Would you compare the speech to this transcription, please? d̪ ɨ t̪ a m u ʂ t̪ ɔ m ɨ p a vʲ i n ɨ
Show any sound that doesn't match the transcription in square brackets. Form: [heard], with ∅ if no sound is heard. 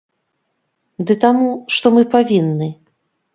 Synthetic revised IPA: d̪ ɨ t̪ a m u ʂ t̪ ɔ m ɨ p a vʲ i [nː] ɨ

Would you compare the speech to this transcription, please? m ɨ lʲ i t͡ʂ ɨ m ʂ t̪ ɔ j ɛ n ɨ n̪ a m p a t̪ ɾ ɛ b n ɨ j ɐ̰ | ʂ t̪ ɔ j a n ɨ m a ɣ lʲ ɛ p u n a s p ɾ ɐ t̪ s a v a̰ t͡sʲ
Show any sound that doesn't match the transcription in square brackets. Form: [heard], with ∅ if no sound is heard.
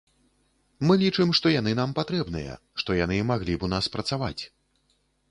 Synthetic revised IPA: m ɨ lʲ i t͡ʂ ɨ m ʂ t̪ ɔ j [a] n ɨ n̪ a m p a t̪ ɾ ɛ b n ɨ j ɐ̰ | ʂ t̪ ɔ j a n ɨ m a ɣ lʲ [i] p u n a s p ɾ ɐ t̪ s a v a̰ t͡sʲ

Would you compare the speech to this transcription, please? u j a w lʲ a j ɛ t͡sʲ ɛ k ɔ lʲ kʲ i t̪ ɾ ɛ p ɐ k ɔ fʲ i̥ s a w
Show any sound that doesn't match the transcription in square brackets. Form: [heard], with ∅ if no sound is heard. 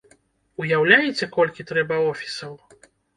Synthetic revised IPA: u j a w lʲ a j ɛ t͡sʲ ɛ k ɔ lʲ kʲ i t̪ ɾ ɛ [b] ɐ [∅] ɔ fʲ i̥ s [ɐ] w

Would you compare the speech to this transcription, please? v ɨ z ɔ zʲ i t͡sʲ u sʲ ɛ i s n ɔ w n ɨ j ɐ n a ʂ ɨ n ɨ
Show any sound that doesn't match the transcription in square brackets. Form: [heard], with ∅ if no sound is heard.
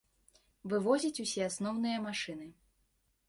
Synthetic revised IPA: v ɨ [v] ɔ zʲ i t͡sʲ u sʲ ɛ [a] s n ɔ w n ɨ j ɐ [m] a ʂ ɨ n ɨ

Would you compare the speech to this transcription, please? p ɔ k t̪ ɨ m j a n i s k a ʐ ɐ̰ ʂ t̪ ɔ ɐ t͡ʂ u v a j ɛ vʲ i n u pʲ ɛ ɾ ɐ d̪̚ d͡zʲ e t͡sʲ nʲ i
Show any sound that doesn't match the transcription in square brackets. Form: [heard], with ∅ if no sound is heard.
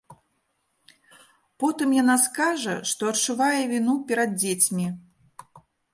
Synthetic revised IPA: p ɔ [∅] t̪ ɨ m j a n [a] s k a ʐ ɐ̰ ʂ t̪ ɔ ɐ t͡ʂ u v a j ɛ vʲ i n u pʲ ɛ ɾ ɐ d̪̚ d͡zʲ e t͡sʲ [mʲ] i

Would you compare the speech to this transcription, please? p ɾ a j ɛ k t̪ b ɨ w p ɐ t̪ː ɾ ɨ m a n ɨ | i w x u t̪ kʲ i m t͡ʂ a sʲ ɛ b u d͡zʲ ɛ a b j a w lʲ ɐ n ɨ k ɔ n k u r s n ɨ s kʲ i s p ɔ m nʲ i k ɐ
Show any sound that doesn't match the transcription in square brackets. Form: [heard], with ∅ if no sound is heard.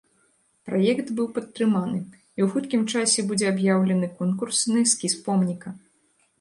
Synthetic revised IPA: p ɾ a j ɛ k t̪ b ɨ w p ɐ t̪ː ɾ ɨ m a n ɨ | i w x u t̪ kʲ i m t͡ʂ a sʲ ɛ b u d͡zʲ ɛ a b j a w lʲ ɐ n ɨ k ɔ n k u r s n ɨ s kʲ i s p ɔ m nʲ i k ɐ

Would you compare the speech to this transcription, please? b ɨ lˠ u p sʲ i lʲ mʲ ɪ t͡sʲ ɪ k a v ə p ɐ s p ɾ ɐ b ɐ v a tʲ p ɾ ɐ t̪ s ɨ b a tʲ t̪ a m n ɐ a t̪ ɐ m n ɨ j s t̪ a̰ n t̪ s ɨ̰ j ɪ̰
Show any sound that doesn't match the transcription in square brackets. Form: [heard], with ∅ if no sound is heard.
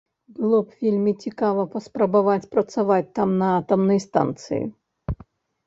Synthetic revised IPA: b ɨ lˠ [ɔ] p [fʲ] i lʲ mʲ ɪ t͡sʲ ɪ k a v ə p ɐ s p ɾ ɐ b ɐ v a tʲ p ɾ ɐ t̪ s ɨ [v] a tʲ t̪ a m n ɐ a t̪ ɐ m n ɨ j s t̪ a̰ n t̪ s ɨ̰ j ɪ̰

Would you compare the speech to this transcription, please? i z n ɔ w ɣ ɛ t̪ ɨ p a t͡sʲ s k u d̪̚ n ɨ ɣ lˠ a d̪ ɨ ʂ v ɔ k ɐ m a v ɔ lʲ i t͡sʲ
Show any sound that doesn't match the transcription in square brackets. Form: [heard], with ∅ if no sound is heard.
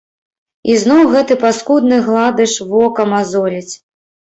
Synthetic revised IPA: i z n ɔ w ɣ ɛ t̪ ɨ p a [∅] s k u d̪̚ n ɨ ɣ lˠ a d̪ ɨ ʂ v ɔ k ɐ m a [z] ɔ lʲ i t͡sʲ

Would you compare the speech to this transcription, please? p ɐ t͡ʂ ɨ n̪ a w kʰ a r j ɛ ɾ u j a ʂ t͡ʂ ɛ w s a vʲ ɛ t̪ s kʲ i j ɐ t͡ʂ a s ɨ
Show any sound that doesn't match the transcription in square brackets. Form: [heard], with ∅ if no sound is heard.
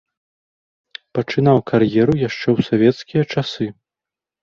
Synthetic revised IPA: p ɐ t͡ʂ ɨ n̪ a w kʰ a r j ɛ ɾ u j a ʂ t͡ʂ ɛ w s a vʲ ɛ t̪ s kʲ i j ɐ t͡ʂ a s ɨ

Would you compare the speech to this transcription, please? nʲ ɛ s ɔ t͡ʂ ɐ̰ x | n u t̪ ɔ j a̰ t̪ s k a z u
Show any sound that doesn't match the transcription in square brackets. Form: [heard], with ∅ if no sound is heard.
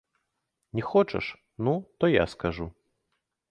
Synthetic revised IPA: nʲ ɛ [x] ɔ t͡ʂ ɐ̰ [ʂ] | n u t̪ ɔ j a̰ [∅] s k a [ʐ] u

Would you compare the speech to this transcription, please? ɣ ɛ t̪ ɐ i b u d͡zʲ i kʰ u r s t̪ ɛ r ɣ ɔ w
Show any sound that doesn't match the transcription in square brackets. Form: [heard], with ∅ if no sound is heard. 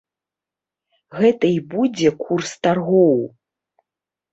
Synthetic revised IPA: ɣ ɛ t̪ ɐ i b u d͡zʲ [ɛ] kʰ u r s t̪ [a] r ɣ ɔ w

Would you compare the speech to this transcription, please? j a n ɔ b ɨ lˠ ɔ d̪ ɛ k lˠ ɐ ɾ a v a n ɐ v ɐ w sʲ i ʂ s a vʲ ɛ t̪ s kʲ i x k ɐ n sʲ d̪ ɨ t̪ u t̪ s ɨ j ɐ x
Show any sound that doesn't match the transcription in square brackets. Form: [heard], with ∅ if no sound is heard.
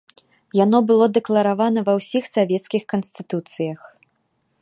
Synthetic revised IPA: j a n ɔ b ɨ lˠ ɔ d̪ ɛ k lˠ ɐ ɾ a v a n ɐ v ɐ w sʲ i [x] s a vʲ ɛ t̪ s kʲ i x k ɐ n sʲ [t̪] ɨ t̪ u t̪ s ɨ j ɐ x

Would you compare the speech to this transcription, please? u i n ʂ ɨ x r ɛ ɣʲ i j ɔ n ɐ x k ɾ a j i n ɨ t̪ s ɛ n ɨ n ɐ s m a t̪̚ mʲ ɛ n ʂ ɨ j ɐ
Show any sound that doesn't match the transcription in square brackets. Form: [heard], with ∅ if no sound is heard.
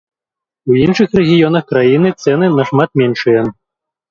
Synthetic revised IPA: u i n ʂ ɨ x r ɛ ɣʲ i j ɔ n ɐ x k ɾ a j i n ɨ t̪ s ɛ n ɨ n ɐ [ʂ] m a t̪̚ mʲ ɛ n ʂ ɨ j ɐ

